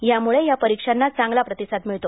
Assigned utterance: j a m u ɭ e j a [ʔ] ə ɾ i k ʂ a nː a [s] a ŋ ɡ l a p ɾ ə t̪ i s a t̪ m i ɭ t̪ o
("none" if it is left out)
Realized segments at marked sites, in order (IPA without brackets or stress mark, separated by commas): p, t͡s